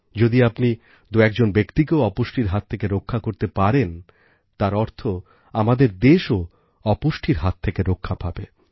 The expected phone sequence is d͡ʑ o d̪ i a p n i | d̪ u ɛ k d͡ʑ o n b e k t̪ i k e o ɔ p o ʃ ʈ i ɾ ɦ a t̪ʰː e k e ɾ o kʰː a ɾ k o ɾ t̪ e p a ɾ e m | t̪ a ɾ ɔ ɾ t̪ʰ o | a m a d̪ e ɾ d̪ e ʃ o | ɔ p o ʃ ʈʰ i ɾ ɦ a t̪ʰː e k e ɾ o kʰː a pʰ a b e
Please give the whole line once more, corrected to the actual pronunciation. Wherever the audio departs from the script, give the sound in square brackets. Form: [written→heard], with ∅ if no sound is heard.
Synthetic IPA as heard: d͡ʑ o d̪ i a p n i | d̪ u ɛ k d͡ʑ o n b e k t̪ i k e o ɔ p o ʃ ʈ i ɾ ɦ a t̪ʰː e k e ɾ o kʰː a [ɾ→∅] k o ɾ t̪ e p a ɾ e [m→n] | t̪ a ɾ ɔ ɾ t̪ʰ o | a m a d̪ e ɾ d̪ e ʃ o | ɔ p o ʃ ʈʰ i ɾ ɦ a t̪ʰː e k e ɾ o kʰː a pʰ a b e